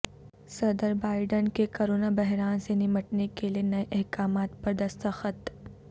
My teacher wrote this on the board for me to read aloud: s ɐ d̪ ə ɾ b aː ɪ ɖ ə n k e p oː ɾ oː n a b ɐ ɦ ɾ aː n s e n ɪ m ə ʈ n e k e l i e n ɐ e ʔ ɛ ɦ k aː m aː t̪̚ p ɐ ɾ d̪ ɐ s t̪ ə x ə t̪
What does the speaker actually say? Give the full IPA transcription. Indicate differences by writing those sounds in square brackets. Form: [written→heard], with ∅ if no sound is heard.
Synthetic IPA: s ɐ d̪ ə ɾ b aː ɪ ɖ ə n k e [p→k] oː ɾ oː n a b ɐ ɦ ɾ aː n s e n ɪ m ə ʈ n e k e l i e n ɐ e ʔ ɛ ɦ k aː m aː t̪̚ p ɐ ɾ d̪ ɐ s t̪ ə x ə t̪